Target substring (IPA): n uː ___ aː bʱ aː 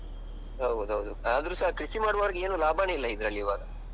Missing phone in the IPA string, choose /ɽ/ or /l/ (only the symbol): l